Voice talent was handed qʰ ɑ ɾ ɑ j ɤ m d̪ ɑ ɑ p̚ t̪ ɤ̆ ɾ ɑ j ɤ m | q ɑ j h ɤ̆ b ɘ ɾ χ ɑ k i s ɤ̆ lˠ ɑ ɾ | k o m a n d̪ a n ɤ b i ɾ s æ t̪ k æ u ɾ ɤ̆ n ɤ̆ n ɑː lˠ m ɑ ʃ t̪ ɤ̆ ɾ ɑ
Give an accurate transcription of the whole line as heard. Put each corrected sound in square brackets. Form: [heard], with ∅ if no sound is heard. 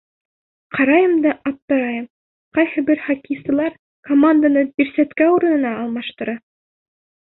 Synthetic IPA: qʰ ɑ ɾ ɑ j ɤ m d̪ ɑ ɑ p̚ t̪ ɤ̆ ɾ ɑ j ɤ m | q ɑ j h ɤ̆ b ɘ ɾ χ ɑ k i s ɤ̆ lˠ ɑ ɾ | k o m a n d̪ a n ɤ b i ɾ s æ t̪ k æ u ɾ ɤ̆ n ɤ̆ n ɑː lˠ m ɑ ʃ t̪ ɤ̆ ɾ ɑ